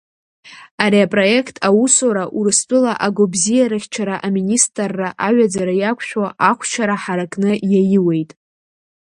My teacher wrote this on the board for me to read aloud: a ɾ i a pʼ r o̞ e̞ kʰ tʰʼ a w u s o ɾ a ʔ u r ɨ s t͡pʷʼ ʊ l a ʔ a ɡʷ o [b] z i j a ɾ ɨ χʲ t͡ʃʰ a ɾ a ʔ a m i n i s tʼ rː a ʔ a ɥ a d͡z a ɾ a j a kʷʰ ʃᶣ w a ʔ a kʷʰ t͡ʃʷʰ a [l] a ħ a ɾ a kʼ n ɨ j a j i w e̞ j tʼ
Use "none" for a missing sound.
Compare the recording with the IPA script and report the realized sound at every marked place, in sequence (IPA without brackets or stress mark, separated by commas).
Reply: b, ɾ